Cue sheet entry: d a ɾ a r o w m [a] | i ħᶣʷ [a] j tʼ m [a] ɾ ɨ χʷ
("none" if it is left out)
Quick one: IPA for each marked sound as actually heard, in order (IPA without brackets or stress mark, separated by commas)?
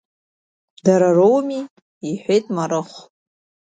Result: i, e, a